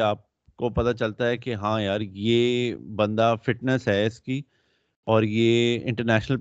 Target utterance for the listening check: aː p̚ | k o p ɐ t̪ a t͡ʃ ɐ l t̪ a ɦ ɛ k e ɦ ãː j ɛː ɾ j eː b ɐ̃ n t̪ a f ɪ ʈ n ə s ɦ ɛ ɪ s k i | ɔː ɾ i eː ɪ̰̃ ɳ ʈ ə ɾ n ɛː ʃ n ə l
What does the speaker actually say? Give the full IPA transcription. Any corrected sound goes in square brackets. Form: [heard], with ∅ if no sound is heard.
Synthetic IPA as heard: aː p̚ | k o p ɐ t̪ a t͡ʃ ɐ l t̪ a ɦ ɛ k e ɦ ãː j [aː] ɾ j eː b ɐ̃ n [d̪] a f ɪ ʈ n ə s ɦ ɛ ɪ s k i | ɔː ɾ [j] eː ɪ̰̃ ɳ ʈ ə ɾ n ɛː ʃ n ə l